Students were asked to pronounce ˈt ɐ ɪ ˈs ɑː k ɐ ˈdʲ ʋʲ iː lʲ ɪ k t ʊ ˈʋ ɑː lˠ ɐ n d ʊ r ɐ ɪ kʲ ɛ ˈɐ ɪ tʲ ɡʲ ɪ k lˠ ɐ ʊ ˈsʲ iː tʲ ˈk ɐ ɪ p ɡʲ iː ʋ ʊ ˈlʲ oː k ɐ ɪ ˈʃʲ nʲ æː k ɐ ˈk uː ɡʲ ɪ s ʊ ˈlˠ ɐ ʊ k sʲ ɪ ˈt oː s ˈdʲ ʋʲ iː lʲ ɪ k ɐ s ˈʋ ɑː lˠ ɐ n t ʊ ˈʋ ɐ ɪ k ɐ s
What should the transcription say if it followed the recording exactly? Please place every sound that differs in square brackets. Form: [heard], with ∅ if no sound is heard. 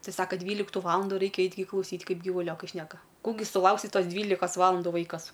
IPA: ˈt ɐ ɪ ˈs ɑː k ɐ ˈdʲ ʋʲ iː lʲ ɪ k t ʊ ˈʋ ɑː lˠ ɐ n d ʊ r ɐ ɪ kʲ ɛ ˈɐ ɪ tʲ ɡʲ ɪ k lˠ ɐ ʊ ˈsʲ iː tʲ ˈk ɐ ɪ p ɡʲ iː ʋ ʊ ˈlʲ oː k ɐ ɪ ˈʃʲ nʲ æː k ɐ ˈk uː ɡʲ ɪ s ʊ ˈlˠ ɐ ʊ k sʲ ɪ ˈt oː s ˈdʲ ʋʲ iː lʲ ɪ k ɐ s ˈʋ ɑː lˠ ɐ n [d] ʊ ˈʋ ɐ ɪ k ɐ s

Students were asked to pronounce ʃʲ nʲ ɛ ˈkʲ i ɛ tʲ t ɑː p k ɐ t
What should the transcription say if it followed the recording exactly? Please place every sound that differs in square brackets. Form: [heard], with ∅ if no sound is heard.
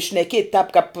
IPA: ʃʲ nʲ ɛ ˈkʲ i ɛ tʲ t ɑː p k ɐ [p]

